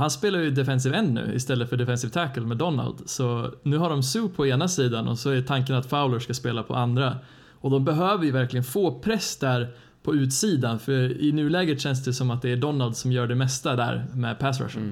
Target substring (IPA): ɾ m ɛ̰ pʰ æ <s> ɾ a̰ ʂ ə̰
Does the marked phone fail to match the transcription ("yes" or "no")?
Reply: no